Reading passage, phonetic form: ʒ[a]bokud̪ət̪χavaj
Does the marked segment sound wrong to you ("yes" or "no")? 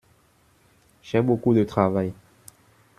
yes